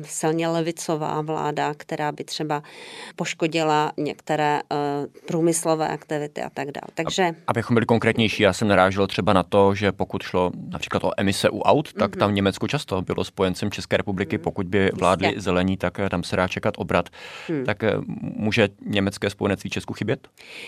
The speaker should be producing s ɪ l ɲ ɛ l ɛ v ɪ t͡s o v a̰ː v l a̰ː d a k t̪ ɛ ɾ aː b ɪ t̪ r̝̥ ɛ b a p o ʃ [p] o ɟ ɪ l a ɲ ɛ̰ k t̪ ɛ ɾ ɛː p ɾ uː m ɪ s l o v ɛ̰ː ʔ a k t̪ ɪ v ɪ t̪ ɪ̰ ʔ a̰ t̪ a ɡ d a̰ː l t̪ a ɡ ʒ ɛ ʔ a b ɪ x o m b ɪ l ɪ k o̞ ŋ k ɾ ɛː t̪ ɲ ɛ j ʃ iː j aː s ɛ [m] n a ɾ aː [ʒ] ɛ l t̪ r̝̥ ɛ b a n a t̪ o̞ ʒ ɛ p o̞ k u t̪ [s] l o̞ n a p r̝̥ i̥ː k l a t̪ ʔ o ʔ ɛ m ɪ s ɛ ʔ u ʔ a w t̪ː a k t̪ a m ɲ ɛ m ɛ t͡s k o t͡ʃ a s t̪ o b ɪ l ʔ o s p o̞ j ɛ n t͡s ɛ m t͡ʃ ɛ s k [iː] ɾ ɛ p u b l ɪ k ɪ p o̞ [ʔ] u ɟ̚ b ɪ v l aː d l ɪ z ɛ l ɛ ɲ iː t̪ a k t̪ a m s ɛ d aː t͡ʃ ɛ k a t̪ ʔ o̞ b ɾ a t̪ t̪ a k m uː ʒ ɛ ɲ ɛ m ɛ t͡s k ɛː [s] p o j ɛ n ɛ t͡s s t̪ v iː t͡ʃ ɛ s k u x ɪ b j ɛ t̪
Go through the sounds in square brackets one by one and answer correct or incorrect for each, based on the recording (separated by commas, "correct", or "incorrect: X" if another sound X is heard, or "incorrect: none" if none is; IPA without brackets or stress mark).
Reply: incorrect: k, correct, correct, incorrect: ʃ, incorrect: ɛː, incorrect: k, correct